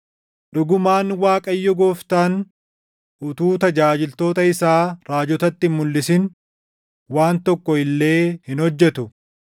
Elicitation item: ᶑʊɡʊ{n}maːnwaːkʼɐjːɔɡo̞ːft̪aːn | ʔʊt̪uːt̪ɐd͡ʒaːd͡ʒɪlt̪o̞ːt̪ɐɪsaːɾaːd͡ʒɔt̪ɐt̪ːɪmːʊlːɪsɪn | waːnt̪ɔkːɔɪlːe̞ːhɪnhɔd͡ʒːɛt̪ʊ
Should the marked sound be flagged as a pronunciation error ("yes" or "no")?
yes